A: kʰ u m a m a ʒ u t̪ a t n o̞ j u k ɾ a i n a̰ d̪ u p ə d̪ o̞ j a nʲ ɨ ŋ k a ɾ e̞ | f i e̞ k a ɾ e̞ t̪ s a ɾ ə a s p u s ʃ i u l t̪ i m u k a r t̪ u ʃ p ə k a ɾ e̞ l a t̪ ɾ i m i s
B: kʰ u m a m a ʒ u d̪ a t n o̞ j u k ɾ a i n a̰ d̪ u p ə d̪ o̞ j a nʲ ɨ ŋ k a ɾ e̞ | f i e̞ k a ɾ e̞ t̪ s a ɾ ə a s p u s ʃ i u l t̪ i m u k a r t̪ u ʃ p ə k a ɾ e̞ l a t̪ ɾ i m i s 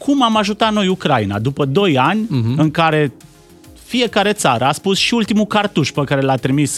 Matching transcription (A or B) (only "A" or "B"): A